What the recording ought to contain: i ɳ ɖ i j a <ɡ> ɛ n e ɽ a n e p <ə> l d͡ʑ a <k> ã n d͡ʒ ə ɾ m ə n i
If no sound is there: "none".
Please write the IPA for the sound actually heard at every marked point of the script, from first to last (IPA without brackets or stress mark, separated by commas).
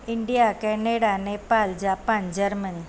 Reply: k, a, p